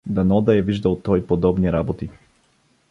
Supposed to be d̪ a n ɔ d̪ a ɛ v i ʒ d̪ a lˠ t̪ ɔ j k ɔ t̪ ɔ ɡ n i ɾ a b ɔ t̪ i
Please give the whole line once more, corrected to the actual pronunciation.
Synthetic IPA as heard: d̪ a n ɔ d̪ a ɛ v i ʒ d̪ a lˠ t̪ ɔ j p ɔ d̪ ɔ b n i ɾ a b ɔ t̪ i